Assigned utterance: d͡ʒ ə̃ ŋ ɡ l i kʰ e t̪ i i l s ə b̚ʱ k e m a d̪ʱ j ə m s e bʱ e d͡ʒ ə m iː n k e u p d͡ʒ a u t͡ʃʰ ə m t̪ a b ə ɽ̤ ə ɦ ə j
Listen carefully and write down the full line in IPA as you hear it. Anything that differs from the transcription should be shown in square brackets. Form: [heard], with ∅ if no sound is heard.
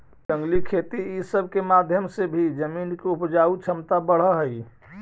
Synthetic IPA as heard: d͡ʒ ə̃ ŋ ɡ l i kʰ e t̪ i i [∅] s ə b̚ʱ k e m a d̪ʱ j ə m s e bʱ [i] d͡ʒ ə m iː n k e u p d͡ʒ a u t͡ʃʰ ə m t̪ a b ə ɽ̤ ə ɦ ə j